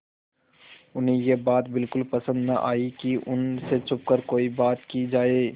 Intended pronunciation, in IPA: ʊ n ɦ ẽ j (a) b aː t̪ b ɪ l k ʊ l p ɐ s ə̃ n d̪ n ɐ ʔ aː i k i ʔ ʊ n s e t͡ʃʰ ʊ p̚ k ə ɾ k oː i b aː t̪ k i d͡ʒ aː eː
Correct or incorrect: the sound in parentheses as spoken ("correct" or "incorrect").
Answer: incorrect